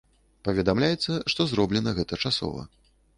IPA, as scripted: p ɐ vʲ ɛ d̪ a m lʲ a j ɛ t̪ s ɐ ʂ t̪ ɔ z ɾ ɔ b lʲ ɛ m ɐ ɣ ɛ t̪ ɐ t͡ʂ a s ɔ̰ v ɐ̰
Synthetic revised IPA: p ɐ vʲ ɛ d̪ a m lʲ a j ɛ t̪ sː ɐ ʂ t̪ ɔ z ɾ ɔ b lʲ ɛ n ɐ ɣ ɛ t̪ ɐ t͡ʂ a s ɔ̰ v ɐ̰